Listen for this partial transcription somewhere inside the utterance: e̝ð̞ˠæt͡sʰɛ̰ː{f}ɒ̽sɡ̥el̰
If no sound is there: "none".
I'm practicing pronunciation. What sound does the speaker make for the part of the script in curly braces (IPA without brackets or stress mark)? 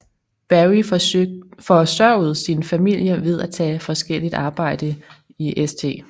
f